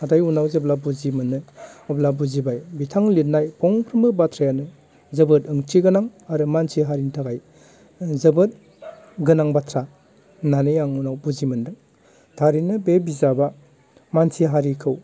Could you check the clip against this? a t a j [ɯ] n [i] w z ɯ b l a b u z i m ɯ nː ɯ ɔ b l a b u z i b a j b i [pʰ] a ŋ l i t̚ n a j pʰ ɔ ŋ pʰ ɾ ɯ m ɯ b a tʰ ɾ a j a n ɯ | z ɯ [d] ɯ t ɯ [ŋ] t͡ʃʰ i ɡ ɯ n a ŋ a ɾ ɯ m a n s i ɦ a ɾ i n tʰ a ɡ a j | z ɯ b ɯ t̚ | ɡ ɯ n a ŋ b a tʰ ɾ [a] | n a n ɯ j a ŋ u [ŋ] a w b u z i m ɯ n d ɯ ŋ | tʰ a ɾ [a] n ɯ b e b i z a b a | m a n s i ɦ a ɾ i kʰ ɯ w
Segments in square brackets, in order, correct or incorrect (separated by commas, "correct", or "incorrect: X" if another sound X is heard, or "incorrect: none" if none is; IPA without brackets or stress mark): incorrect: u, incorrect: a, incorrect: tʰ, incorrect: b, correct, correct, incorrect: n, incorrect: i